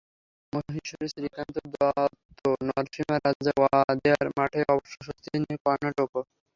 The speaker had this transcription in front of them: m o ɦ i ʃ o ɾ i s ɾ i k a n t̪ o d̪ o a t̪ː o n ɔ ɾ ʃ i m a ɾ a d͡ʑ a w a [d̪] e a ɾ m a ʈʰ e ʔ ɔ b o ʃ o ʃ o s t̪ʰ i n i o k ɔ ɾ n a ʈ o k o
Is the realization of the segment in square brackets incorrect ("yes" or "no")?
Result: no